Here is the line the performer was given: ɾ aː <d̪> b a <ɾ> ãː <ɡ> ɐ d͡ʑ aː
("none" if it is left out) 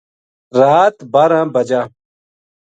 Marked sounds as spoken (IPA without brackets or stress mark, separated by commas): t̪, ɾ, b